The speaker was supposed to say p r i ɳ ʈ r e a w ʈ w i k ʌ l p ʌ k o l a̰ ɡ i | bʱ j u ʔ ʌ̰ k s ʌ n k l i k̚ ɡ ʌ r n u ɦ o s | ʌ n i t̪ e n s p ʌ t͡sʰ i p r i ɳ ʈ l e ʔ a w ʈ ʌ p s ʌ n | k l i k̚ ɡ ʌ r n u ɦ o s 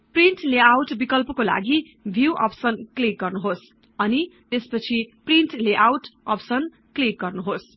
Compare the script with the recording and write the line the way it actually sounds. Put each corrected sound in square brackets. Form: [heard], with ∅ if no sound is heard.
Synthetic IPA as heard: p r i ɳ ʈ [l] e a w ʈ [b] i k ʌ l p ʌ k o l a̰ ɡ i | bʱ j u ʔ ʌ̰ [p] s ʌ n k l i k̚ ɡ ʌ r n u ɦ o s | ʌ n i t̪ e [∅] s p ʌ t͡sʰ i p r i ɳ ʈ l e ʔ a w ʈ ʌ p s ʌ n | k l i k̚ ɡ ʌ r n u ɦ o s